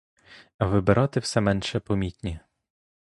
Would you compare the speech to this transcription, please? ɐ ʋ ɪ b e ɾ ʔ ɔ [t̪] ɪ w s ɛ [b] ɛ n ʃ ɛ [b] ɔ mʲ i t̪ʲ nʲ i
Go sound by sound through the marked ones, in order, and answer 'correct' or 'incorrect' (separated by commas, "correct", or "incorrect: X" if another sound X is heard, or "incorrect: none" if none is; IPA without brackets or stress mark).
correct, incorrect: m, incorrect: p